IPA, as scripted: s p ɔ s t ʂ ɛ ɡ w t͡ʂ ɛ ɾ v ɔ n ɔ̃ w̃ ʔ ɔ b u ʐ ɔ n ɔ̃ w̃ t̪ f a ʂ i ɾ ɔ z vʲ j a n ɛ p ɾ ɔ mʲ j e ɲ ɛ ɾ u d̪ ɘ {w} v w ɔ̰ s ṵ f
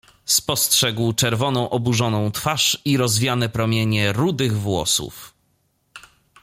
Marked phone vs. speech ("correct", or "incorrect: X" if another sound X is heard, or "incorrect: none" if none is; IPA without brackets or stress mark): incorrect: ɣ